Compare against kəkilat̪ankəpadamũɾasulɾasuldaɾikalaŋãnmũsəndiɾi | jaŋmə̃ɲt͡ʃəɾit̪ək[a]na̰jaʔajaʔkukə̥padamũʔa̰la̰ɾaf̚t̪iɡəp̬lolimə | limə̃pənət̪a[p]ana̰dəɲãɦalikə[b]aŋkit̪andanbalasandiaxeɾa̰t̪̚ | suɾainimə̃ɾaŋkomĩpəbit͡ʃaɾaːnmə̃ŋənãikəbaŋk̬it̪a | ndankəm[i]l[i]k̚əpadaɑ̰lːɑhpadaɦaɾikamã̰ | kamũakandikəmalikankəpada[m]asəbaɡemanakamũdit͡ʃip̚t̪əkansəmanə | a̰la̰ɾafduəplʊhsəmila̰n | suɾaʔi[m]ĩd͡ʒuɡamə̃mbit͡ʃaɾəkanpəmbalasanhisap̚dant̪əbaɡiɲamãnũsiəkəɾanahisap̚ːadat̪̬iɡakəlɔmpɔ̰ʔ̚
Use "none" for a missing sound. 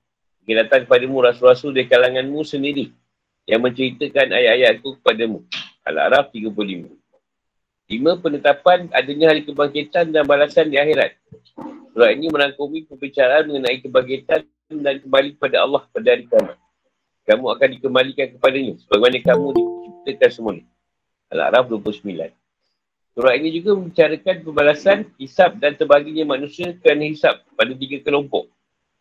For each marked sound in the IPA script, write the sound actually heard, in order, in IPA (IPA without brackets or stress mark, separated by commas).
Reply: a, p, b, a, i, ɲ, n